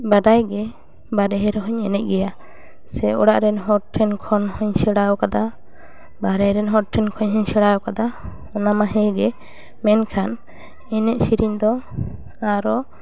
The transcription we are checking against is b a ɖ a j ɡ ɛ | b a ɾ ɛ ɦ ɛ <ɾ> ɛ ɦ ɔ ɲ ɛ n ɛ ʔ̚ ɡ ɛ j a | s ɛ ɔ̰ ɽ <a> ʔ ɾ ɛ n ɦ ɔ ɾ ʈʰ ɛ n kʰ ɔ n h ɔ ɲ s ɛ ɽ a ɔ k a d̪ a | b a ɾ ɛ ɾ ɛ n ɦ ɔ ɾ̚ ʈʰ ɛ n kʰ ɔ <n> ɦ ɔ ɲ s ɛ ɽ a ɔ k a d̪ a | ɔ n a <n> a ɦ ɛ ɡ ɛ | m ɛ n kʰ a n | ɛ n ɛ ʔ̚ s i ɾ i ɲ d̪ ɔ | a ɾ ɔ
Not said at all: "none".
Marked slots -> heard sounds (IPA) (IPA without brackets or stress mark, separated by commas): ɾ, a, ɲ, m